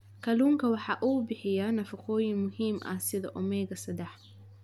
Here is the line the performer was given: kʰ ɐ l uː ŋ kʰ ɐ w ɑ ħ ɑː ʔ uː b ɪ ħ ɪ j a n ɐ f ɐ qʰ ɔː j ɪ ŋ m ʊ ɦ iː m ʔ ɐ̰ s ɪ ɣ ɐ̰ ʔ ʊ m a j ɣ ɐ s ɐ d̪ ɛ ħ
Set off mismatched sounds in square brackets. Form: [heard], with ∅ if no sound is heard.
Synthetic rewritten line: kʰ ɐ l uː ŋ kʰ ɐ w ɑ ħ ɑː ʔ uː b ɪ ħ ɪ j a n ɐ f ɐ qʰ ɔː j ɪ ŋ m ʊ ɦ iː m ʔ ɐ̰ s ɪ [ð] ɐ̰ ʔ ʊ m [ɛ] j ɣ ɐ s ɐ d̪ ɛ ħ